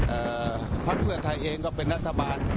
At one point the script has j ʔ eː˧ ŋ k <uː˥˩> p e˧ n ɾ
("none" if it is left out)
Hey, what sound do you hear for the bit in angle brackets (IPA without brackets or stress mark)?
ɔː˥˩